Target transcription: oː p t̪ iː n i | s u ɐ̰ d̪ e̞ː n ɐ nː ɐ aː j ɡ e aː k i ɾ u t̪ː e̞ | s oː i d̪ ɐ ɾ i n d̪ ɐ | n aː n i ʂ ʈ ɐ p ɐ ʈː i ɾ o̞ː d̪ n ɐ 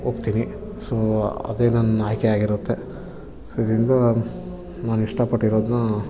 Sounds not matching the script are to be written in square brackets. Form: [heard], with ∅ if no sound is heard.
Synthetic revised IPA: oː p t̪ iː n i | s [o] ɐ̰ d̪ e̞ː n ɐ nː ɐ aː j [k] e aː [ɡ] i ɾ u t̪ː e̞ | s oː i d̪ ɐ ɾ i n d̪ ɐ | n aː n i ʂ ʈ ɐ p ɐ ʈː i ɾ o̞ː d̪ n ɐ